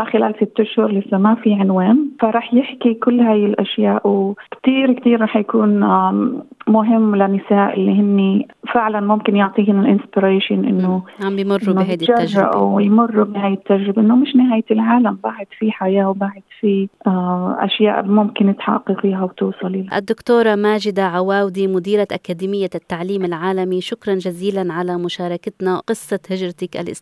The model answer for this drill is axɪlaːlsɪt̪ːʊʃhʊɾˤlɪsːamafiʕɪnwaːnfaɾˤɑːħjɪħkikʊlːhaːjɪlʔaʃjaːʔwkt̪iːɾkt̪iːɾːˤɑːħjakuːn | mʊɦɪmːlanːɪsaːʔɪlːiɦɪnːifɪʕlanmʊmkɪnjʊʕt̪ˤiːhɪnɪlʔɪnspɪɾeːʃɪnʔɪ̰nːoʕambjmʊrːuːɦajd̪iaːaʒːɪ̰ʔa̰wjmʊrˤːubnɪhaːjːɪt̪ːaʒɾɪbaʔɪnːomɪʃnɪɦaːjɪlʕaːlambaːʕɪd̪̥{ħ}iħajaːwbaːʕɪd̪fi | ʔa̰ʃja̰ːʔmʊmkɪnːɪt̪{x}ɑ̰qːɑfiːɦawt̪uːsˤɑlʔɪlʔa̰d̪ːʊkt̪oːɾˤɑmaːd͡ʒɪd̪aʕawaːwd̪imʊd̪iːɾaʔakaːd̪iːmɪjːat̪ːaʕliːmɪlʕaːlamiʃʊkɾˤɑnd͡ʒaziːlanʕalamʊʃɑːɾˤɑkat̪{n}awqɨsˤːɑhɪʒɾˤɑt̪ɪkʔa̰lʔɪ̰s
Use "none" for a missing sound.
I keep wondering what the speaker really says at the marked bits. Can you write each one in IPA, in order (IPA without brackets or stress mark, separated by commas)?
f, ħ, n